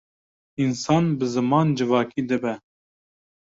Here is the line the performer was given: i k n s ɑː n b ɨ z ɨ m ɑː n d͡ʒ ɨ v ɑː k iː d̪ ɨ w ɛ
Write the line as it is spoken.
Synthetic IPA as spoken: i n s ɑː n b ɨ z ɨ m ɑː n d͡ʒ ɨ v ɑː k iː d̪ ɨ b ɛ